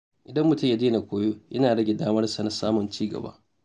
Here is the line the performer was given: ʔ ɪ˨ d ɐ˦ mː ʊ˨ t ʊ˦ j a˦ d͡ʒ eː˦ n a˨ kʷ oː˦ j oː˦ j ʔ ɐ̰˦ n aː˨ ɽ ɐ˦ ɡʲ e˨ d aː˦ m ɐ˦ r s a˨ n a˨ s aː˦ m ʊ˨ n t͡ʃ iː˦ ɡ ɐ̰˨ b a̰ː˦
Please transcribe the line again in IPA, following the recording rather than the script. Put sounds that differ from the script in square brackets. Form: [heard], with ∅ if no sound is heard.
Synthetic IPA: ʔ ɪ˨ d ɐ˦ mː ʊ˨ t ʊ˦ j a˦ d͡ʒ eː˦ n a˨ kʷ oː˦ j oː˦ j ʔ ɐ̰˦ n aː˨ ɽ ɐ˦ ɡʲ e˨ d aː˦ m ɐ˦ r s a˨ n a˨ s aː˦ m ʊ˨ n t͡ʃ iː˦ ɡ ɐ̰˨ b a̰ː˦

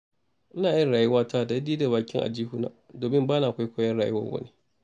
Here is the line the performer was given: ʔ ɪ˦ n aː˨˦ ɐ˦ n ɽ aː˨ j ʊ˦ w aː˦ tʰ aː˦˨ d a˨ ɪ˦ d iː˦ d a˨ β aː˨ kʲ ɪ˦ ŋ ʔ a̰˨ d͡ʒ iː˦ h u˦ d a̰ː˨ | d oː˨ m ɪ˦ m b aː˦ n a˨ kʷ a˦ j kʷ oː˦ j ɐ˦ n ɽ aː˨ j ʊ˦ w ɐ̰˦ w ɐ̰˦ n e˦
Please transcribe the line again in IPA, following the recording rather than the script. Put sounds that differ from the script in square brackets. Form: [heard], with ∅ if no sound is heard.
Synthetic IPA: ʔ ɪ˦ n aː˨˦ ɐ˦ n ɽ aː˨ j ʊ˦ w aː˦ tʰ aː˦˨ d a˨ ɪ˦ d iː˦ d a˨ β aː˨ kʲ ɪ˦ ŋ ʔ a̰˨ d͡ʒ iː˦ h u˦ [n] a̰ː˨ | d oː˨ m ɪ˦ m b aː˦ n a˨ kʷ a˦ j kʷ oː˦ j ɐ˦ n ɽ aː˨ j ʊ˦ w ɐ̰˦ w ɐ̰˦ n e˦

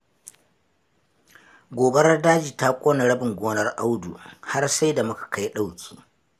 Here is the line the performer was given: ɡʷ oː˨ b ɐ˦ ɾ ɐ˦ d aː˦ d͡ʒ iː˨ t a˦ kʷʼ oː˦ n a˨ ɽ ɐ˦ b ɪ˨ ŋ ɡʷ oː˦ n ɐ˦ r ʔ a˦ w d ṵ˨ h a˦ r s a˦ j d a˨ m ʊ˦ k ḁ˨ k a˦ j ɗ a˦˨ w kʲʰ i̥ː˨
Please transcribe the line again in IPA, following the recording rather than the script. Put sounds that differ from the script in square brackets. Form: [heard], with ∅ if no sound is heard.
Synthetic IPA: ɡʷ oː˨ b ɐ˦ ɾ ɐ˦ d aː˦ d͡ʒ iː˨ t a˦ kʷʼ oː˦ n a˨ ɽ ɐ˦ b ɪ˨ ŋ ɡʷ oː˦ n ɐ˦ r ʔ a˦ w d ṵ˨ h a˦ r s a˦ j d a˨ m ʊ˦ k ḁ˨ k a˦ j ɗ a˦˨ w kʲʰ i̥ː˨

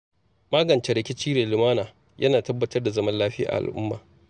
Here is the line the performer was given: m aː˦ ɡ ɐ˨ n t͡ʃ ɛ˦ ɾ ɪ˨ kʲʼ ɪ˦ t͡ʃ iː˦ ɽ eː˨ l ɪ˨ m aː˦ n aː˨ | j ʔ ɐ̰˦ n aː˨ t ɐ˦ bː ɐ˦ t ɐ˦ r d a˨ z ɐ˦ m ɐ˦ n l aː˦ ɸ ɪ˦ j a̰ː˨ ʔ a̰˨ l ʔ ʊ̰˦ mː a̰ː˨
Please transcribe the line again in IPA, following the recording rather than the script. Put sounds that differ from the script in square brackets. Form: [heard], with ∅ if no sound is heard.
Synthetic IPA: m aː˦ ɡ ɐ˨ n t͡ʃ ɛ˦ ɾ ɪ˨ [kʲ] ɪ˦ t͡ʃ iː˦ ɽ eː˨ l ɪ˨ m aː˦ n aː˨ | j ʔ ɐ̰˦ n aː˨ t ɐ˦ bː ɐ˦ t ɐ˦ r d a˨ z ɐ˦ m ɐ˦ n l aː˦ ɸ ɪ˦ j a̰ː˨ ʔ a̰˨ l ʔ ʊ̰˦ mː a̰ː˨

